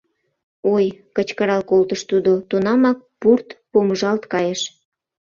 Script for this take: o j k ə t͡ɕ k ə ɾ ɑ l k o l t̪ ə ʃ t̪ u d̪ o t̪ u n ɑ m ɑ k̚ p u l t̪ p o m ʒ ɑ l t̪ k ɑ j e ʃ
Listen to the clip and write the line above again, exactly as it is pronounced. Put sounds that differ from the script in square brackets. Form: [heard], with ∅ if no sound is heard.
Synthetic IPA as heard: o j k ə t͡ɕ k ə ɾ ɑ l k o l t̪ ə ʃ t̪ u d̪ o t̪ u n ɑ m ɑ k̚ p u [r] t̪ p o m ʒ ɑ l t̪ k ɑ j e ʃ